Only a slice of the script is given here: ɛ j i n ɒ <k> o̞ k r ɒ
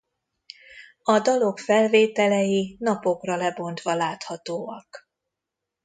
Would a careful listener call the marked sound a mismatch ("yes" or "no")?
yes